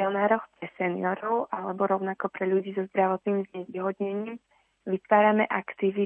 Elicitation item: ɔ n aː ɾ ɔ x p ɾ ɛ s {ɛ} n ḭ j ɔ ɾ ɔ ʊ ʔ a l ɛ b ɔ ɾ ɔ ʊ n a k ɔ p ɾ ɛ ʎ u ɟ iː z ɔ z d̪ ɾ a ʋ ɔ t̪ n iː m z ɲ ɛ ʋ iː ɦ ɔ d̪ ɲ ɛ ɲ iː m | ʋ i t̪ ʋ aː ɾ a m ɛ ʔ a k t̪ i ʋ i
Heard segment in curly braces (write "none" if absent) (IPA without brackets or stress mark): ɛ